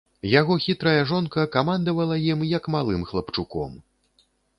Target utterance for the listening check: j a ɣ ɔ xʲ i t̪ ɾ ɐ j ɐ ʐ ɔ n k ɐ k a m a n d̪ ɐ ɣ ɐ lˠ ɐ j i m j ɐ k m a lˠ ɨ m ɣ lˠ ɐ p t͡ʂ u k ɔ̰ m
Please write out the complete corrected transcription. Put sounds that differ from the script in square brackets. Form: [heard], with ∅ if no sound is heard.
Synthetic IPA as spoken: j a ɣ ɔ xʲ i t̪ ɾ ɐ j ɐ ʐ ɔ n k ɐ k a m a n d̪ ɐ [v] ɐ lˠ ɐ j i m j ɐ k m a lˠ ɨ m [x] lˠ ɐ p t͡ʂ u k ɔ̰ m